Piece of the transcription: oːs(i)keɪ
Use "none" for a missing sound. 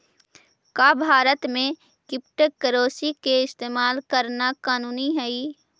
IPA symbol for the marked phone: i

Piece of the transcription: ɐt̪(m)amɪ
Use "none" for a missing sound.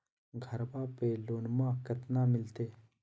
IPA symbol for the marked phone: n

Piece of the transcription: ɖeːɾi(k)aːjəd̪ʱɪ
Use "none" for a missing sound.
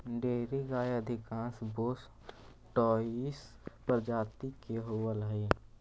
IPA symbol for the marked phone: ɡ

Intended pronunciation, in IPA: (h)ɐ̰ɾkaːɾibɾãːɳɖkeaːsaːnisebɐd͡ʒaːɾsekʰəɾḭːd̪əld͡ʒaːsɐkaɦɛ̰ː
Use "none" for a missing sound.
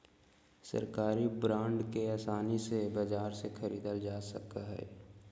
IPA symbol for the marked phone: s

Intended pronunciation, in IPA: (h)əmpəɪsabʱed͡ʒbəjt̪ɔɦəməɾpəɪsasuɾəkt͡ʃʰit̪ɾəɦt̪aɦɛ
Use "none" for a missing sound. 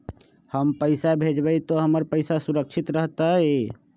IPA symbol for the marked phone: h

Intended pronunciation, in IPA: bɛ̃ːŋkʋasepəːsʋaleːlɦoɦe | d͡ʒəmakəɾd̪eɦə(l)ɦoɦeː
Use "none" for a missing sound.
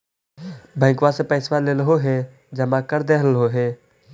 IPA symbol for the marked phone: l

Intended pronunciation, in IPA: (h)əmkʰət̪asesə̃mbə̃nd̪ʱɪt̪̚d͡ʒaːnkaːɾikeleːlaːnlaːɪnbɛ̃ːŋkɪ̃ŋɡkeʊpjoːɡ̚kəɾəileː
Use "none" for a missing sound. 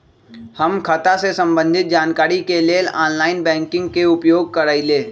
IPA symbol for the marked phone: h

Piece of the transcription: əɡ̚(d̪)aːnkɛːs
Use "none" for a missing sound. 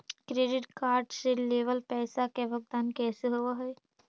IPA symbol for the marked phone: d̪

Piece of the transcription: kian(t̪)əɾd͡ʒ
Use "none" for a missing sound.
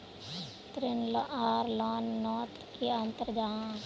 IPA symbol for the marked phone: t̪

